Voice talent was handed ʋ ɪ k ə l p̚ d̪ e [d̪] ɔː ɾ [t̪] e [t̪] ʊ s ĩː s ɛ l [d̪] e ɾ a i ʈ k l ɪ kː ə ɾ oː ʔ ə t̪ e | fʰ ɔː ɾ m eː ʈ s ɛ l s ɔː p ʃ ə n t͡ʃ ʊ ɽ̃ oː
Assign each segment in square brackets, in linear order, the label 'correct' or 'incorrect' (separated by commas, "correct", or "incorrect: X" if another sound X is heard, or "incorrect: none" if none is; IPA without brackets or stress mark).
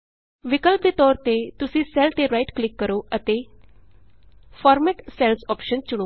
incorrect: t̪, correct, correct, incorrect: t̪